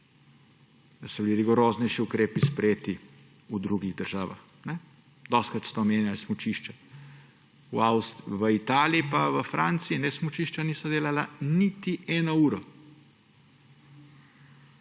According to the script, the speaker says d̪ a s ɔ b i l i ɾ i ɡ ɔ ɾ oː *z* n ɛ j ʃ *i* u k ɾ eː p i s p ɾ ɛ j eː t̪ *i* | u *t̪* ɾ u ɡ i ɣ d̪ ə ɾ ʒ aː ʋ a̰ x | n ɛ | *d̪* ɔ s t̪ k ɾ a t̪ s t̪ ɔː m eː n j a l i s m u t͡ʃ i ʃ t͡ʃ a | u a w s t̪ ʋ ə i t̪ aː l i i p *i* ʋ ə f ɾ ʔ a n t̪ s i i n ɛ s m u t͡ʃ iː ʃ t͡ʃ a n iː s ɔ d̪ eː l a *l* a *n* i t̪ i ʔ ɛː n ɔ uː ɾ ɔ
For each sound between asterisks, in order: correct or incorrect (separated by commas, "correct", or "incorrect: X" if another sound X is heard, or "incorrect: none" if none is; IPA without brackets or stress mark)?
correct, correct, correct, incorrect: d̪, correct, incorrect: a, correct, correct